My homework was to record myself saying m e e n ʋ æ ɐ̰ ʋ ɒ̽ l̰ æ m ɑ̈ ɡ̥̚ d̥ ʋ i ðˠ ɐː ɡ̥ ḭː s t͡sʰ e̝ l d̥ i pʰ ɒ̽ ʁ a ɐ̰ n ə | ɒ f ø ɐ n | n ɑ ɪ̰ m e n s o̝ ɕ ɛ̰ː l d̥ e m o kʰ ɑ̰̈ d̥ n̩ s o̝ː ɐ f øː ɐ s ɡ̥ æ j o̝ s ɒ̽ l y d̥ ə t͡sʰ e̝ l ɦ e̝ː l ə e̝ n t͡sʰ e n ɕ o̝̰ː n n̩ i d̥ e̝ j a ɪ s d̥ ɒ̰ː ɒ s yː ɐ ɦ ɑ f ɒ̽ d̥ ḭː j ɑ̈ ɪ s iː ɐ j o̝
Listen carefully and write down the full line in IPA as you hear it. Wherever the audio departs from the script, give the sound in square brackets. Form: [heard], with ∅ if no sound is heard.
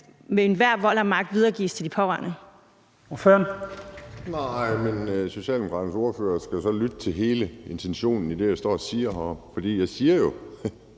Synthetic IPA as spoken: m e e n ʋ æ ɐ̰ ʋ ɒ̽ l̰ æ m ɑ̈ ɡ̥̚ d̥ ʋ i ðˠ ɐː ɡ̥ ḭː s t͡sʰ e̝ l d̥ i pʰ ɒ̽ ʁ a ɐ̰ n ə | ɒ f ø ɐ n | n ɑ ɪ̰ m e n s o̝ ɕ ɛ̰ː l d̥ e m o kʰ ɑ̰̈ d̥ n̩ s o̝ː ɐ f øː ɐ s ɡ̥ æ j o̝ s ɒ̽ l y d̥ ə t͡sʰ e̝ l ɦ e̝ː l ə e̝ n t͡sʰ e n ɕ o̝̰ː n n̩ i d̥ e̝ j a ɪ s d̥ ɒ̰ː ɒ s [iː] ɐ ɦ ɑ f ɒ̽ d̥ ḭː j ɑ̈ ɪ s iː ɐ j o̝